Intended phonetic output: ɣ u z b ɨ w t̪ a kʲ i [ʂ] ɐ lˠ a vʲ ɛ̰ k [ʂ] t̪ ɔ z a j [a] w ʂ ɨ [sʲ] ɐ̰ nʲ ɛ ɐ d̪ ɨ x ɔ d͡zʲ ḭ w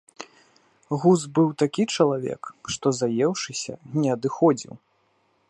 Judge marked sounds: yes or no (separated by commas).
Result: no, yes, no, yes